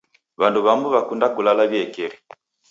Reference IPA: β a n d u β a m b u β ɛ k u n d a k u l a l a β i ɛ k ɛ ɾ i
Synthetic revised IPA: β a n d u β a m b u β a k u n d a k u l a l a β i ɛ k ɛ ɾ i